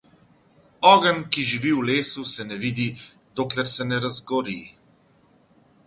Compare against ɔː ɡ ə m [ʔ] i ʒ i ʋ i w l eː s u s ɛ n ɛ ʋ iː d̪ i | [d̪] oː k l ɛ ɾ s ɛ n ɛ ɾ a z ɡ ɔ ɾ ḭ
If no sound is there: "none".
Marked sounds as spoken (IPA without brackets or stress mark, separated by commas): k, d̪